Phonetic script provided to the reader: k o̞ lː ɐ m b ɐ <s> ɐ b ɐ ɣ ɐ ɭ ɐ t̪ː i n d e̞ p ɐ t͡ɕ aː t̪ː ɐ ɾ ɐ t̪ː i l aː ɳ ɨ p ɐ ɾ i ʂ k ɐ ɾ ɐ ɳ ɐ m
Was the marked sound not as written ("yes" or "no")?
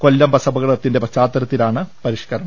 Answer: no